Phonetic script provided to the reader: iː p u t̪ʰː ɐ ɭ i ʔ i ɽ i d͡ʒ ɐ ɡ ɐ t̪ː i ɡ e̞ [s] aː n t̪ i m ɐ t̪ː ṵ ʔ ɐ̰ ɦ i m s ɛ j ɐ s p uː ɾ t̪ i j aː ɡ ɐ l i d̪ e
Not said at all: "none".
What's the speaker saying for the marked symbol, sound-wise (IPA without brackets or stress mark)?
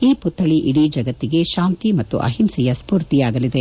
ʃ